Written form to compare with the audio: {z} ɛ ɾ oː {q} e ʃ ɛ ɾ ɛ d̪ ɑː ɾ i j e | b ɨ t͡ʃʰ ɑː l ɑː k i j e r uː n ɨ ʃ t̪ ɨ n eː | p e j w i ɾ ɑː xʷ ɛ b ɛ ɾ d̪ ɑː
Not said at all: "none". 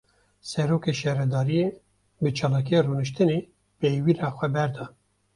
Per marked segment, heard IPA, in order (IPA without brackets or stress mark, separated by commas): s, k